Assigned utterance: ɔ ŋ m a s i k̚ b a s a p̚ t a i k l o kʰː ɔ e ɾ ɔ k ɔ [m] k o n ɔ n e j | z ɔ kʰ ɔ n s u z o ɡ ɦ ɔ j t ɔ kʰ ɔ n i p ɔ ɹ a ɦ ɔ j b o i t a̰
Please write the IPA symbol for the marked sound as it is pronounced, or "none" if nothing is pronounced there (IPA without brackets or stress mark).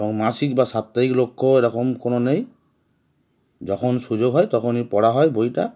m